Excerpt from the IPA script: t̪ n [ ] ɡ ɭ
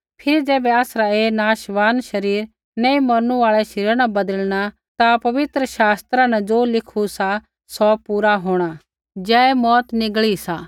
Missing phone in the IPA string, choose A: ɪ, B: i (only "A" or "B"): A